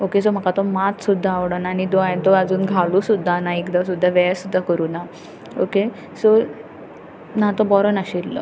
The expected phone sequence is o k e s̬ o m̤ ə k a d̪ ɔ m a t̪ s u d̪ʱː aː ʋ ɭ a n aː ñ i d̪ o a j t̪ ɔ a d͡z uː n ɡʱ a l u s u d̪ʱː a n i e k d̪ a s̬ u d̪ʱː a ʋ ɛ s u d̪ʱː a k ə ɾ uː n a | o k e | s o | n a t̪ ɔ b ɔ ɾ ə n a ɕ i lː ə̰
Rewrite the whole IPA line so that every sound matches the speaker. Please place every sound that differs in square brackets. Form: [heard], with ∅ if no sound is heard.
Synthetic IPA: o k e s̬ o m̤ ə k a [t̪] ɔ m a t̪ s u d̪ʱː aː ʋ [ɽ] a n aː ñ i d̪ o a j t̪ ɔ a d͡z uː n ɡʱ a l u s u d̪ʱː a n [a] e k d̪ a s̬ u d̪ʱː a ʋ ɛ s u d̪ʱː a k ə ɾ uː n a | o k e | s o | n a t̪ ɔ b ɔ ɾ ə n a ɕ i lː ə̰